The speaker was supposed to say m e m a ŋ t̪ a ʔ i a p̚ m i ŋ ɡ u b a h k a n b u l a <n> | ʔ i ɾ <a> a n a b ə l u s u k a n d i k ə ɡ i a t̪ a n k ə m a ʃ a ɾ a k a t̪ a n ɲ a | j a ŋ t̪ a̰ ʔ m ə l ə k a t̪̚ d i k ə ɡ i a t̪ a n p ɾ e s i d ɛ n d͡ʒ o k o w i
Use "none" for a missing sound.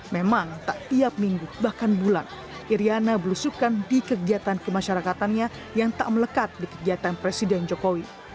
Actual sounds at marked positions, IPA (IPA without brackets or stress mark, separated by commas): n, i